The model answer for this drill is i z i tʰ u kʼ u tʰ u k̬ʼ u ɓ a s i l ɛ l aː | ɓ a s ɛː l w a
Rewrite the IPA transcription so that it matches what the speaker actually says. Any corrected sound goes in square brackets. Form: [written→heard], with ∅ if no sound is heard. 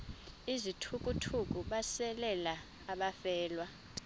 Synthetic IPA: i z i tʰ u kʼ u tʰ u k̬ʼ u ɓ a s [i→ɛ] l ɛ l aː | ɓ a [s→f] ɛː l w a